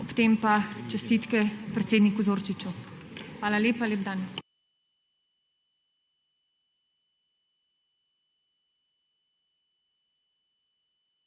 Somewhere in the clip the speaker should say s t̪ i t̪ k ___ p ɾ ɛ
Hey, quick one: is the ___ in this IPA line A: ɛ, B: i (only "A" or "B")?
A